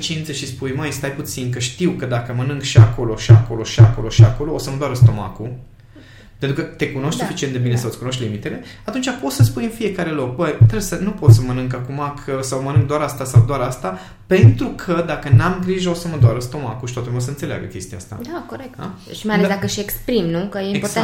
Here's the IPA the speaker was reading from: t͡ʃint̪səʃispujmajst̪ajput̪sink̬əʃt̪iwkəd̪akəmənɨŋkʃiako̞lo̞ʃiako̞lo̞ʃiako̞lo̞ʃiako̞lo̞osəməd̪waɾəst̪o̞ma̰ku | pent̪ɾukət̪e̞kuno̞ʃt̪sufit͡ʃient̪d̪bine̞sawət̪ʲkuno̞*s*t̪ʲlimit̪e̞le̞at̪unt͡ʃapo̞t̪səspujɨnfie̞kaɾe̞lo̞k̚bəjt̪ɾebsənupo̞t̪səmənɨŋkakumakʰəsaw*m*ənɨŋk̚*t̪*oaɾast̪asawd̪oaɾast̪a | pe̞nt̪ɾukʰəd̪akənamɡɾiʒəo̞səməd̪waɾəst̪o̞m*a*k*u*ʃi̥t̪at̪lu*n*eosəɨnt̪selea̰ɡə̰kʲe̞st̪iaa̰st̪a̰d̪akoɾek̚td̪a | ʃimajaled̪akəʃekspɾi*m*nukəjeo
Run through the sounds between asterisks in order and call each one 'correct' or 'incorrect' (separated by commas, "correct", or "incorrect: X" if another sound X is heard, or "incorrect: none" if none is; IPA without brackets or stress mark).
incorrect: ʃ, correct, incorrect: d̪, correct, correct, incorrect: m, correct